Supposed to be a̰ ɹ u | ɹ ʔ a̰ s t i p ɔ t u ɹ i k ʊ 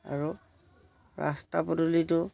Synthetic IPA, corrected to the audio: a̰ ɹ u | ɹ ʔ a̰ s t a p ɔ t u l i t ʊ